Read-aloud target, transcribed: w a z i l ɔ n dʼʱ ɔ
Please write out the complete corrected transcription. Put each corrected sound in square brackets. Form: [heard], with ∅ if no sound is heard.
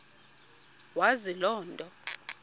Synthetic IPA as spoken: w a z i l [ɔː] n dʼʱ ɔ